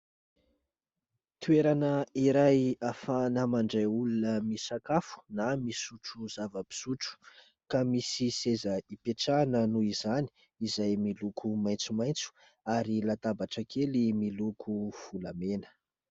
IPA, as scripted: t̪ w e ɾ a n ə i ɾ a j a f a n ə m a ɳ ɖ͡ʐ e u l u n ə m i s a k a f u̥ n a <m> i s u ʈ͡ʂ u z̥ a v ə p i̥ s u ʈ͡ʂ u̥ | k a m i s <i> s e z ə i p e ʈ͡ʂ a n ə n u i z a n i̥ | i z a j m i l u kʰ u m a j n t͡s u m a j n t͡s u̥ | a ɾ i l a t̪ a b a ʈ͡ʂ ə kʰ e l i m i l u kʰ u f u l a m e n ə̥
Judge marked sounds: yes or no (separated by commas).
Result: yes, yes